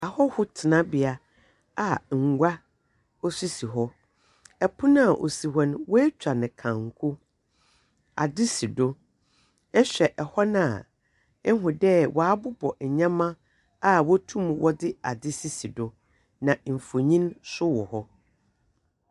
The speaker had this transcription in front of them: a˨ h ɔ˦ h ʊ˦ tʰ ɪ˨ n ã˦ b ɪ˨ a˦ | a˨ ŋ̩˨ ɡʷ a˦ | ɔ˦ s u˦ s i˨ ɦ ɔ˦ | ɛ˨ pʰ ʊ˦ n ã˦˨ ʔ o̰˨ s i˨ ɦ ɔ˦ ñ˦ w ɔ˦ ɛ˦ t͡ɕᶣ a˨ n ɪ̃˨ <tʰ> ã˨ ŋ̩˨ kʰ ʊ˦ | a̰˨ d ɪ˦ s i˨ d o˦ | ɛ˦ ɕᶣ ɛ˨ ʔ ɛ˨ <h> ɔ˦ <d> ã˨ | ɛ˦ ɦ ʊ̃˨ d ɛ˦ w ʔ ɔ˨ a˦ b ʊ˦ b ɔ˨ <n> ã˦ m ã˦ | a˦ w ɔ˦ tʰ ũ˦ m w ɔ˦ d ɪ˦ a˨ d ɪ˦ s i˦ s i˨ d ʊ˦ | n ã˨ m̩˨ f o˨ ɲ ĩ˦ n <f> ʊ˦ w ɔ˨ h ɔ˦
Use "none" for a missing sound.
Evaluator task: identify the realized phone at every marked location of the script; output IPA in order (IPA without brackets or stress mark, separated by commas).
kʰ, h, n, ɲ, s